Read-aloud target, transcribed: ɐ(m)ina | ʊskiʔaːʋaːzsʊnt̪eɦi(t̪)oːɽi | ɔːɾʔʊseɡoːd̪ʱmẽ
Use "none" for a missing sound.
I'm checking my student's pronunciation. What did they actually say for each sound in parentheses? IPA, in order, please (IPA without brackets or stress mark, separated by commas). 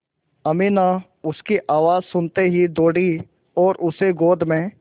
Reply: m, d̪